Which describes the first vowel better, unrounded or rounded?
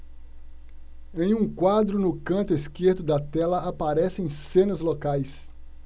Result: unrounded